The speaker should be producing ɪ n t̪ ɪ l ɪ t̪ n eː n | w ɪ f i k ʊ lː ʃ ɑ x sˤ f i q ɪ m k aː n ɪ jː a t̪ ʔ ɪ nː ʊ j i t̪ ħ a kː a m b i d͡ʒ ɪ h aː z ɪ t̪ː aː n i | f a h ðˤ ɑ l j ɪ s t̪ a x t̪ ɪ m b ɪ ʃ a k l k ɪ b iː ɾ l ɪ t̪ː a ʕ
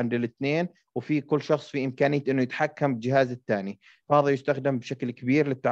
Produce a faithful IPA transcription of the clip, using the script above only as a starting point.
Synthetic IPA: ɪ n d̪ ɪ l ɪ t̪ n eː n | w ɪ f i k ʊ lː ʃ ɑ x sˤ f i ʔ ɪ m k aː n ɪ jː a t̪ ʔ ɪ nː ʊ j ɪ t̪ ħ a kː a m b ɪ d͡ʒ ɪ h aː z ɪ t̪ː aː n i | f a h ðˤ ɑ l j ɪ s t̪ a x d̪ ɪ m b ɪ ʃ a k l k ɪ b iː ɾ l ɪ t̪ː a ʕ